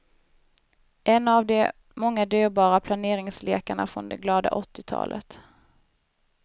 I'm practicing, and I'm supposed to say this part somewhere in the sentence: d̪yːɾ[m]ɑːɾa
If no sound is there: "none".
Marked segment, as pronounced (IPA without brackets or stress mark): b